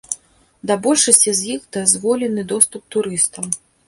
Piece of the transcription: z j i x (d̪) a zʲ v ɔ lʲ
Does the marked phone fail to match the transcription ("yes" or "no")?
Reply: no